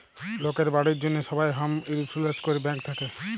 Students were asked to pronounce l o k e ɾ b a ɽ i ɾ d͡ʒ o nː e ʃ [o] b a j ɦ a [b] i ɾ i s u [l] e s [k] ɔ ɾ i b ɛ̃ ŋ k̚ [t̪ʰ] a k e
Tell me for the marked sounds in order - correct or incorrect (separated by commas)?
incorrect, incorrect, correct, correct, correct